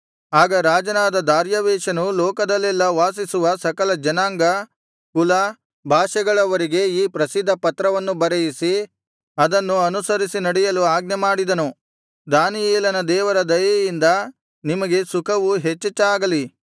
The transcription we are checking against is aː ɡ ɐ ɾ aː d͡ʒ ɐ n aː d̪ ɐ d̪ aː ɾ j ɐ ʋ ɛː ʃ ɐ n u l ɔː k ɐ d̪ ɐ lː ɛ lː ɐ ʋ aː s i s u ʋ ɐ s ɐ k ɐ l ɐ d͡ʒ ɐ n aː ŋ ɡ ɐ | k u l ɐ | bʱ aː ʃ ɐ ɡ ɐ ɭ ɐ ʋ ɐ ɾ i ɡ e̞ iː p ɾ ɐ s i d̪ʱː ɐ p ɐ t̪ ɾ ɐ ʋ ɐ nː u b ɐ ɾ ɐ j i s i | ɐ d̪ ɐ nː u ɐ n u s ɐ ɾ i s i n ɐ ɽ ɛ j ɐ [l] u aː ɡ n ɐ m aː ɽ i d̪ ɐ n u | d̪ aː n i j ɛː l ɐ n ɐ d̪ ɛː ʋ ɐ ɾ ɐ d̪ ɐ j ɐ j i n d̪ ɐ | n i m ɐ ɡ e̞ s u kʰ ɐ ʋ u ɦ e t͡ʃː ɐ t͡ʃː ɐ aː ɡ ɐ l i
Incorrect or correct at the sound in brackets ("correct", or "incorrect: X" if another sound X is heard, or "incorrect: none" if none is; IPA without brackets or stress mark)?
correct